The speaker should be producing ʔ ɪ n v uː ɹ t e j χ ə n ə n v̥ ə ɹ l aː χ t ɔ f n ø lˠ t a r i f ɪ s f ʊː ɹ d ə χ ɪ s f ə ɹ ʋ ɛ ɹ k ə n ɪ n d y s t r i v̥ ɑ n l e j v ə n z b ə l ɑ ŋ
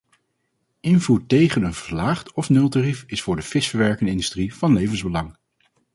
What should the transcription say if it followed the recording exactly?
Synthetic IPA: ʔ ɪ n v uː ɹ t e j χ ə n ə n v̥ ə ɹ l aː χ t ɔ f n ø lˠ t a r i f ɪ s f ʊː ɹ d ə f ɪ s f ə ɹ ʋ ɛ ɹ k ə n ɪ n d y s t r i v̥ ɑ n l e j v ə n z b ə l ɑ ŋ

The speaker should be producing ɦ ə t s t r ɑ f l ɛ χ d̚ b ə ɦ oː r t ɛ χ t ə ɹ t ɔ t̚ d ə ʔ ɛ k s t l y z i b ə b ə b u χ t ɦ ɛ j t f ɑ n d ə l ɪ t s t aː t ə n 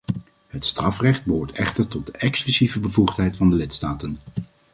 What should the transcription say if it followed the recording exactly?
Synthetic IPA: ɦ ə t s t r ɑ f r ɛ χ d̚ b ə ɦ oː ɹ t ɛ χ t ə ɹ t ɔ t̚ d ə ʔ ɛ k s k l y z i v ə b ə v u χ t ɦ ɛ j t f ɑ n d ə l ɪ t s t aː t ə n

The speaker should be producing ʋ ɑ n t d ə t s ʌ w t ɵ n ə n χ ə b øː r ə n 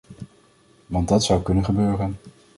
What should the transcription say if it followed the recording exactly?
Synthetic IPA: ʋ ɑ n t d ɑ t s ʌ w k ɵ n ə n χ ə b øː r ə n

